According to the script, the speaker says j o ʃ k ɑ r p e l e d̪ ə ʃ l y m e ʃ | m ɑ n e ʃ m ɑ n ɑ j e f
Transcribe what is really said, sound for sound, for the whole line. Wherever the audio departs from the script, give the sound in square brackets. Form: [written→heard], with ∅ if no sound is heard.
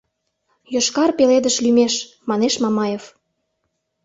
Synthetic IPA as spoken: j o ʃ k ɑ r p e l e d̪ ə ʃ l y m e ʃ | m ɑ n e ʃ m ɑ [n→m] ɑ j e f